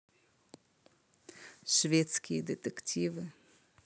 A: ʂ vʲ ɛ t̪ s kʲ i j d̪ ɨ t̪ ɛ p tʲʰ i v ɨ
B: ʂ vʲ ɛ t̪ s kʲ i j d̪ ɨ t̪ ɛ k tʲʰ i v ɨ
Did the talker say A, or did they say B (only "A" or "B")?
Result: B